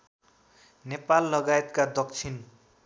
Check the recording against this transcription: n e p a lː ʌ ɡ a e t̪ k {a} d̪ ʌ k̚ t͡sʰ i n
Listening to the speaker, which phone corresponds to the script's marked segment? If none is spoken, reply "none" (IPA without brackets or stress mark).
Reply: a